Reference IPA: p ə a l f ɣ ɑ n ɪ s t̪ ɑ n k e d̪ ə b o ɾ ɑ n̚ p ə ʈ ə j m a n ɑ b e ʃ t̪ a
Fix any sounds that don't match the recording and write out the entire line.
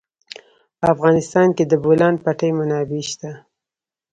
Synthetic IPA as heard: p ə a f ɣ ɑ n ɪ s t̪ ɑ n k e d̪ ə b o l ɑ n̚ p a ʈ ə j m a n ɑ b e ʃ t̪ a